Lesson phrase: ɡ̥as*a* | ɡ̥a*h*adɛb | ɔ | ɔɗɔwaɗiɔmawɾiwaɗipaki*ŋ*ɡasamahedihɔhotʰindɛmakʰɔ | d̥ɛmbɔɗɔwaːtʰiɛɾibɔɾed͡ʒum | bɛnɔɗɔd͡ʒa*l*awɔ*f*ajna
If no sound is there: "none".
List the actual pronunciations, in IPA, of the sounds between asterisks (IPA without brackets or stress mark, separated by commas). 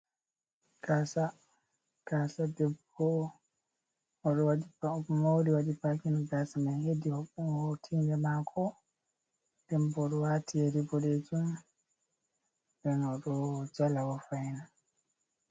a, s, n, l, f